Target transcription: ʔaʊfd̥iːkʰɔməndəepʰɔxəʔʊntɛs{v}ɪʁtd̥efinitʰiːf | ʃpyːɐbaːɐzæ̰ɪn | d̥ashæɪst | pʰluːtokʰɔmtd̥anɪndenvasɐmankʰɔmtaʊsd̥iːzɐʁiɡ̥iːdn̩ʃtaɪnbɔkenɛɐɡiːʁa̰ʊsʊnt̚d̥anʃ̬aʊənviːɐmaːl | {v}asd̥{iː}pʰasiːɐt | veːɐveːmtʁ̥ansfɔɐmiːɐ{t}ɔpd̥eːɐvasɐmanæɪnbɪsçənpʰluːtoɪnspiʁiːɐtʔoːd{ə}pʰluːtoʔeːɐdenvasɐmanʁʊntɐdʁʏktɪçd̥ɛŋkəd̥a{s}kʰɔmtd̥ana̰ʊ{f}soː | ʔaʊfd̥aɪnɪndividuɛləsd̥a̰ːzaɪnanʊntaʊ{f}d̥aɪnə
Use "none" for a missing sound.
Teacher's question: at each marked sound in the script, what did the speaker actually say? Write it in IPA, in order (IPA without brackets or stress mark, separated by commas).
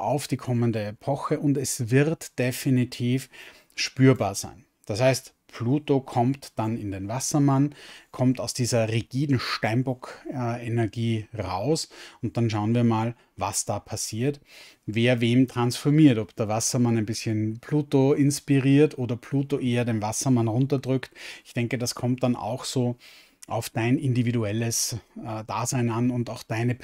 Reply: v, v, aː, t, ɐ, s, x, x